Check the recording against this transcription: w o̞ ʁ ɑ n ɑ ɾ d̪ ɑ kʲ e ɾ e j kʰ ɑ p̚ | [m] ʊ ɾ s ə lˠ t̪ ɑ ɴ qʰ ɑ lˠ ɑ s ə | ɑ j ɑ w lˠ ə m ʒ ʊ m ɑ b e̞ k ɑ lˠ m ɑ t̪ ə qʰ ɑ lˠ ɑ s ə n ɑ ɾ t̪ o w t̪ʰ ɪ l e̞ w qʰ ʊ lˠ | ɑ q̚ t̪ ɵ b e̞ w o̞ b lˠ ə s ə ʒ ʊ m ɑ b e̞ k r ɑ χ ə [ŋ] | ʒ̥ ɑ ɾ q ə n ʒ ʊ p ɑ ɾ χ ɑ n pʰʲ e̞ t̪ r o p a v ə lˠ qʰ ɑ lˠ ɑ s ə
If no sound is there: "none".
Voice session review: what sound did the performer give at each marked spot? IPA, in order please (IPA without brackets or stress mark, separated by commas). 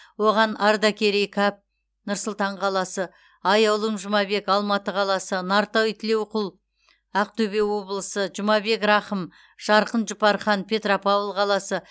n, m